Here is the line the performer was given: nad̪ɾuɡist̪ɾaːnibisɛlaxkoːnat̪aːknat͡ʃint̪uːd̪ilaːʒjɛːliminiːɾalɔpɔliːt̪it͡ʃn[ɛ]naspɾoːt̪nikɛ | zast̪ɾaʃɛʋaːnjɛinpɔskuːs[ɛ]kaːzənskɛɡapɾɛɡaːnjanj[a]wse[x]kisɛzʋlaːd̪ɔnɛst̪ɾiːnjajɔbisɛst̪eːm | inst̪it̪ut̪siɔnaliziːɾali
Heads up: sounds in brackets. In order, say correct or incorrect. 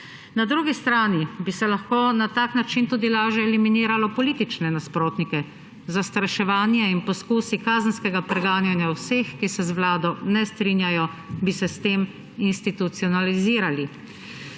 correct, incorrect: i, correct, correct

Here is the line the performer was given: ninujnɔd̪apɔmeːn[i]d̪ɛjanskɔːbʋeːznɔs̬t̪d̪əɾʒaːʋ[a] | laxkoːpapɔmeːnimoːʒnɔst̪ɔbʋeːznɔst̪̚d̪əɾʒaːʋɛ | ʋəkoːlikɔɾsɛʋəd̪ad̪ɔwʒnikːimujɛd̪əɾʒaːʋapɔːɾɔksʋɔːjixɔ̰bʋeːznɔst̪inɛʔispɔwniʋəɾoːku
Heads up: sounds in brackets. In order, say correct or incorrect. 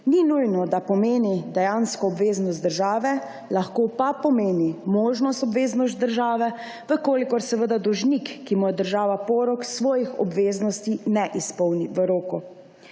correct, incorrect: ɛ

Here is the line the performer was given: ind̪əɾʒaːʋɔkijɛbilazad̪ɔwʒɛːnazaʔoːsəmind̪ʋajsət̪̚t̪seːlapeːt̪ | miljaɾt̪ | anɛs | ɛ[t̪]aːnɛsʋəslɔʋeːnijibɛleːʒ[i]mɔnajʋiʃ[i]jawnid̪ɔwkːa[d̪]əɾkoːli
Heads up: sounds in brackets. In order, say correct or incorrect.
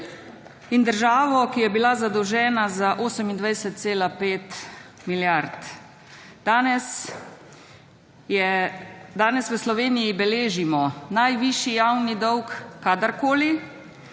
incorrect: d̪, correct, correct, correct

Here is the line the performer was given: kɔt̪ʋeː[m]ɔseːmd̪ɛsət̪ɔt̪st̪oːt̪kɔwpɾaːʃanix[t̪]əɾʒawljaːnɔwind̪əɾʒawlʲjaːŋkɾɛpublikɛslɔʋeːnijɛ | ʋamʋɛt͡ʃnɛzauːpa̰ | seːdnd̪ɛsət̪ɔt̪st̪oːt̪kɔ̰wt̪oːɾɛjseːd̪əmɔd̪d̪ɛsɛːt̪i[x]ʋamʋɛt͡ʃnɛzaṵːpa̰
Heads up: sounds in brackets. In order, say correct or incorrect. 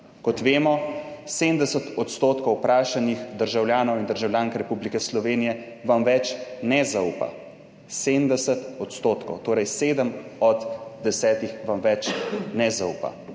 correct, incorrect: d̪, correct

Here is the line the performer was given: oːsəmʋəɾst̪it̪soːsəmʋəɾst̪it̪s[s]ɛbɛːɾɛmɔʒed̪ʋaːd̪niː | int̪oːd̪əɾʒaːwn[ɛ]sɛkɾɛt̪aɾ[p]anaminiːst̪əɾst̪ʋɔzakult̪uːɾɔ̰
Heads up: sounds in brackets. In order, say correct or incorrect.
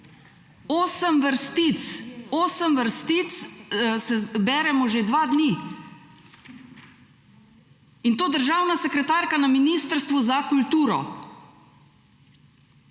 correct, incorrect: a, incorrect: k

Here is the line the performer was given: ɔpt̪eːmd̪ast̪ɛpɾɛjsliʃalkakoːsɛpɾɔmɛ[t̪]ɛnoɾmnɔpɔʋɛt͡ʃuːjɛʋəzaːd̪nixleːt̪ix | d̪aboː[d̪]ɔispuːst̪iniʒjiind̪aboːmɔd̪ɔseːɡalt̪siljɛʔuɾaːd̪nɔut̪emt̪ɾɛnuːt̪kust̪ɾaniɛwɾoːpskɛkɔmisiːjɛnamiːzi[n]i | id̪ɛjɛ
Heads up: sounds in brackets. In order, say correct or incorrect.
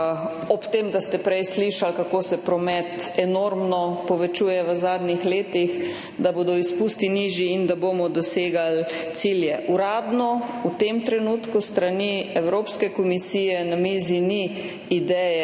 correct, correct, correct

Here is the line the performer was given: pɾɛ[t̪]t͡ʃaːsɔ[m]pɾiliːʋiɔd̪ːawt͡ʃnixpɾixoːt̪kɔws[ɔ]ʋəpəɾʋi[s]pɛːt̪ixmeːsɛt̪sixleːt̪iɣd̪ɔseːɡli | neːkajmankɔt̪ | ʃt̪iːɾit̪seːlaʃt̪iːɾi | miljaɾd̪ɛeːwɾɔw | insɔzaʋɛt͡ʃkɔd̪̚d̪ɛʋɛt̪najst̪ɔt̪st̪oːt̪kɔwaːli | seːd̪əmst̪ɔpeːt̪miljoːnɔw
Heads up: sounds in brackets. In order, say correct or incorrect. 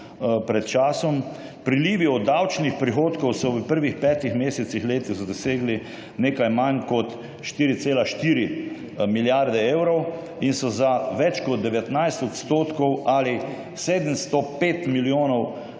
correct, correct, correct, incorrect: x

